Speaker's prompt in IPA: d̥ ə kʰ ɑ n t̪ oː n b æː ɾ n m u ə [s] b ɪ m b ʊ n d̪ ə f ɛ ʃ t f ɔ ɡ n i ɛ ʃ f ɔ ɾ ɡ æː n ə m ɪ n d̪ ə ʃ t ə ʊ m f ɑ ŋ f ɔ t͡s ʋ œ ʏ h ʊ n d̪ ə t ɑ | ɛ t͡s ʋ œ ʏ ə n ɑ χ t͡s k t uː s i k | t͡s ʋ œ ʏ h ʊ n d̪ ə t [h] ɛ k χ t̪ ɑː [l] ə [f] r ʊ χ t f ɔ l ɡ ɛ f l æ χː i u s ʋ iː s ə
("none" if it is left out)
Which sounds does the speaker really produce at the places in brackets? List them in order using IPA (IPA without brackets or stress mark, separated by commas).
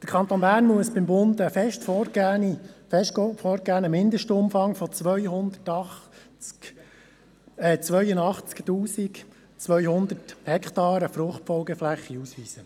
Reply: s, h, ɾ, f